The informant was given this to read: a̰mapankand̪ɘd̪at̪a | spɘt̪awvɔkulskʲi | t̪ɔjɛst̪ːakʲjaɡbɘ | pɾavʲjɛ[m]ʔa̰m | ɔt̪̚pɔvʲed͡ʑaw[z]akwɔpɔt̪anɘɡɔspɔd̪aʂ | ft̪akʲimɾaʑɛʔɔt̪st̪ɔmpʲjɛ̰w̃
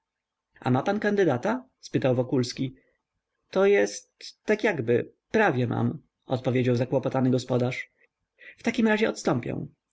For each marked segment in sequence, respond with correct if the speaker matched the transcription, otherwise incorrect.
correct, correct

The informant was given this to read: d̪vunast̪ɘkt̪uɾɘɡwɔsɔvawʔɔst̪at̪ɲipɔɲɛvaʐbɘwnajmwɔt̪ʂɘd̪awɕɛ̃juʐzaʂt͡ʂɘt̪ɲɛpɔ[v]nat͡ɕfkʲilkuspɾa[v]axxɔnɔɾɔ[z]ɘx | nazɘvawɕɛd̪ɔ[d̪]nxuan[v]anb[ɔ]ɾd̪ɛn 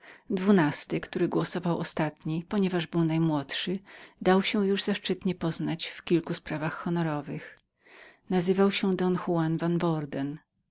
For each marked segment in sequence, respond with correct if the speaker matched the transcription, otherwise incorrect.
incorrect: z, correct, incorrect: v, incorrect: none, correct, correct

